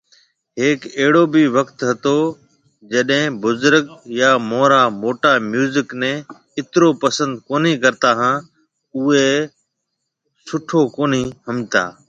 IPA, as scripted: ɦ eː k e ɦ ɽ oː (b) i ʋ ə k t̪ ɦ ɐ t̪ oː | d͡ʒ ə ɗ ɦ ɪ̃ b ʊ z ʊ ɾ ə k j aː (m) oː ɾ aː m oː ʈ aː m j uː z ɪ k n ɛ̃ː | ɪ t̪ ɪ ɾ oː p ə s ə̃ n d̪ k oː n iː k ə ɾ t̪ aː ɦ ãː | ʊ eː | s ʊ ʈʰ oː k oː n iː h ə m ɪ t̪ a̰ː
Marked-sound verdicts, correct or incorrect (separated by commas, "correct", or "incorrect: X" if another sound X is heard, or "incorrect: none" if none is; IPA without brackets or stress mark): correct, correct